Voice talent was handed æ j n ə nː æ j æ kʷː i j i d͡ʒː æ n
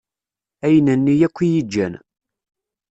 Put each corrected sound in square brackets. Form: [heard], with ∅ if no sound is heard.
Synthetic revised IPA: æ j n ə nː [i] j æ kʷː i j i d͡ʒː æ n